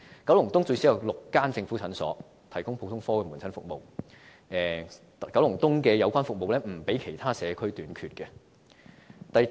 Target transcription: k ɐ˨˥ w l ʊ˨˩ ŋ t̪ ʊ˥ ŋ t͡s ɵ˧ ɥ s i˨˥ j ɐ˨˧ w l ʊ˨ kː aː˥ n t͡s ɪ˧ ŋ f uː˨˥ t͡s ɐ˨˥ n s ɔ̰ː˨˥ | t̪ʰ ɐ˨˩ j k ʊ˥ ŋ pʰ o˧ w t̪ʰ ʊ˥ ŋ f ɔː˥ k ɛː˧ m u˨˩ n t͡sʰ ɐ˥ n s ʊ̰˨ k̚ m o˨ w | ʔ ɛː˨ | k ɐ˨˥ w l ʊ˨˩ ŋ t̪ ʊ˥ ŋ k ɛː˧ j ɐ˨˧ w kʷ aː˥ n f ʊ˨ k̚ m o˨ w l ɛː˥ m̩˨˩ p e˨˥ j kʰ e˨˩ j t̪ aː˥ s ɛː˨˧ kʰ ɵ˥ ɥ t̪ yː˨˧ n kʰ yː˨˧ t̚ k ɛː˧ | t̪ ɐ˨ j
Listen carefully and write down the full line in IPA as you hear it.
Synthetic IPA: k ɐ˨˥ w l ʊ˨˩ ŋ t̪ ʊ˥ ŋ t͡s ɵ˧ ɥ s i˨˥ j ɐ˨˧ w l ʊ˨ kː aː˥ n t͡s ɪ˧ ŋ f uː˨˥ t͡sʰ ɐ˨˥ n s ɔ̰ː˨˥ | t̪ʰ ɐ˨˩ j k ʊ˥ ŋ pʰ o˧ w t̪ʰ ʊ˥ ŋ f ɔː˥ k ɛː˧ m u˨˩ n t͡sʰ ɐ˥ n f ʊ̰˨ k̚ m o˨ w | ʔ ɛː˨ | k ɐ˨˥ w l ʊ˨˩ ŋ t̪ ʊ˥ ŋ k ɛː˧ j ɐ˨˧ w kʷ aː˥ n f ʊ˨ k̚ m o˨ w l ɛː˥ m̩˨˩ p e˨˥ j kʰ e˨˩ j t̪ʰ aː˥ s ɛː˨˧ kʰ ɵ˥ ɥ t̪ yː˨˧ n kʰ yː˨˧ t̚ k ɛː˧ | t̪ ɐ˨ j